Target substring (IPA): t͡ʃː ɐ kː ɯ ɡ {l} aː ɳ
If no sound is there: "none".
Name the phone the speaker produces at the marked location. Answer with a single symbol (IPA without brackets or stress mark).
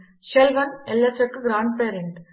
ɾ